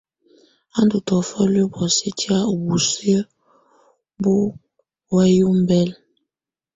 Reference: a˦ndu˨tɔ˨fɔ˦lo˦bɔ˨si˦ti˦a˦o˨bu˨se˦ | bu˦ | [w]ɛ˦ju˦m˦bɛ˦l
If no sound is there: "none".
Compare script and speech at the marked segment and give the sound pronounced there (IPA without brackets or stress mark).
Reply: w